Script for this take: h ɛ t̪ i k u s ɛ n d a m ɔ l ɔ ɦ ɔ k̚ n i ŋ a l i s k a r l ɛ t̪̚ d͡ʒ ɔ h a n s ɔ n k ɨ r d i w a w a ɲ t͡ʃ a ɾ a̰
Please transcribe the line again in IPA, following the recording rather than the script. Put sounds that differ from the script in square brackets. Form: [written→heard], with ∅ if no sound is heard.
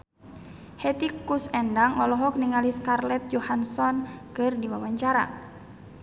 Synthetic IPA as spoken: h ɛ t̪ i k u s ɛ n d a [m→ŋ] ɔ l ɔ ɦ ɔ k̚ n i ŋ a l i s k a r l ɛ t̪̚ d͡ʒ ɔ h a n s ɔ n k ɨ r d i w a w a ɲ t͡ʃ a ɾ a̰